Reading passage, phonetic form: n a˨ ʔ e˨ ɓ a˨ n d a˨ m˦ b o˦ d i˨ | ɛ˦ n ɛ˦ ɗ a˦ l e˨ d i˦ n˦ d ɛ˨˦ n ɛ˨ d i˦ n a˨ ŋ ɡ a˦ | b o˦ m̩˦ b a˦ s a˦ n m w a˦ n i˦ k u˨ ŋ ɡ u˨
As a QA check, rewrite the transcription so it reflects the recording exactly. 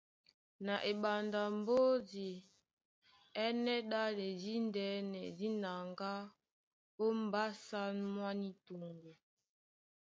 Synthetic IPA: n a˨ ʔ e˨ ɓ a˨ n d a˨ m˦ b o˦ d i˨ | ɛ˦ n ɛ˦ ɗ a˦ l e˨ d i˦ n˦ d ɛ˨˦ n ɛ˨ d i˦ n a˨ ŋ ɡ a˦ | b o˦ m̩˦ b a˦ s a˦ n m w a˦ n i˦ t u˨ ŋ ɡ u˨